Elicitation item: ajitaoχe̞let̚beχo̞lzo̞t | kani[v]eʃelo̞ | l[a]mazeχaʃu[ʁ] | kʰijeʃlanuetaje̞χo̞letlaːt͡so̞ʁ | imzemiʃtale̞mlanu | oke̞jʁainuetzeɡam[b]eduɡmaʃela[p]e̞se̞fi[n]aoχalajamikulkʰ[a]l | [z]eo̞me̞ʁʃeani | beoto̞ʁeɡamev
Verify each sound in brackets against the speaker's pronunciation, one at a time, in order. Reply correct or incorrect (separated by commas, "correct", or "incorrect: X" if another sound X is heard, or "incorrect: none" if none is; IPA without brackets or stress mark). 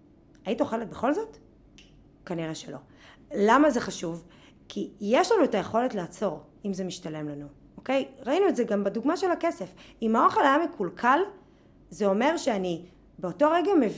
incorrect: ʁ, correct, incorrect: v, correct, incorrect: k, incorrect: m, correct, correct